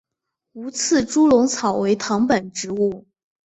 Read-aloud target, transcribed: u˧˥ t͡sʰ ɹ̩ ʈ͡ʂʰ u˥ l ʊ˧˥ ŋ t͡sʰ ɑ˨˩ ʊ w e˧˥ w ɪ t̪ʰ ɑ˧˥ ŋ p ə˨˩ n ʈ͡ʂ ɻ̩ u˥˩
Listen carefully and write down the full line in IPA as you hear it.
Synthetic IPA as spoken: u˧˥ t͡sʰ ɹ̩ ʈ͡ʂ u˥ l ʊ˧˥ ŋ t͡sʰ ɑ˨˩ ʊ w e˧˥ ɪ t̪ʰ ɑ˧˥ ŋ p ə˨˩ n ʈ͡ʂ ɻ̩ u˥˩